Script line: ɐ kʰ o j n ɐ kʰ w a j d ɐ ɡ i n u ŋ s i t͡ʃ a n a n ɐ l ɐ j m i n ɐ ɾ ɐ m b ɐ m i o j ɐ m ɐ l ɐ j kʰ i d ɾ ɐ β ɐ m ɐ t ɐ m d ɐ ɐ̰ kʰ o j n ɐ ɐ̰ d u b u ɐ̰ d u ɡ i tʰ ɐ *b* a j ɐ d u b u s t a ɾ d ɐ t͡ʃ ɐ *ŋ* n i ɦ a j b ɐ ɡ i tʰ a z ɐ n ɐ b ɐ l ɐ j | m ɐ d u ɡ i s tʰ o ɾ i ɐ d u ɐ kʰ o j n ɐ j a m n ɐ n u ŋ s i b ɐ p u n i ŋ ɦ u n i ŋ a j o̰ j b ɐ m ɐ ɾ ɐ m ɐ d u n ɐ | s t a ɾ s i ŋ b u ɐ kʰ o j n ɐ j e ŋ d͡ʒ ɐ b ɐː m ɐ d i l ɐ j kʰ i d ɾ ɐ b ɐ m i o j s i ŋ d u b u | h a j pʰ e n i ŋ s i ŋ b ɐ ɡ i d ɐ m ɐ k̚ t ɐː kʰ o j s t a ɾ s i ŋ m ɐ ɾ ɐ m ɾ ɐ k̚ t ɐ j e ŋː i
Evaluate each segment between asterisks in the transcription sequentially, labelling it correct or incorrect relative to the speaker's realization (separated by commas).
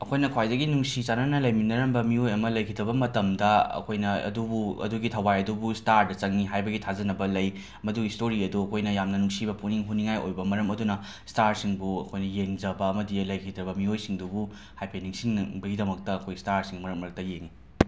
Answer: incorrect, correct